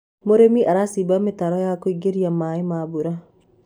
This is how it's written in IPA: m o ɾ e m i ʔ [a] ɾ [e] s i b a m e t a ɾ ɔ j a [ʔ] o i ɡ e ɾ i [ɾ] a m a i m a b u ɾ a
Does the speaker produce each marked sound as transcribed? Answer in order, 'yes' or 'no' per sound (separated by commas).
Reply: yes, no, no, no